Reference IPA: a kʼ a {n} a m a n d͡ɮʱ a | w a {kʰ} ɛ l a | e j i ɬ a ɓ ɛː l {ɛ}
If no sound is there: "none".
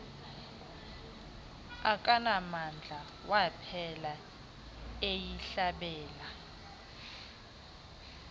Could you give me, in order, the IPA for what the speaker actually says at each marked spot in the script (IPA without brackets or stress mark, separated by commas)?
n, pʰ, a